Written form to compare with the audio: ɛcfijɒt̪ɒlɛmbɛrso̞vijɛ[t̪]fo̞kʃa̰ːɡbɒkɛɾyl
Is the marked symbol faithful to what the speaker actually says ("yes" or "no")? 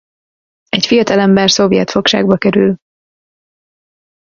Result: yes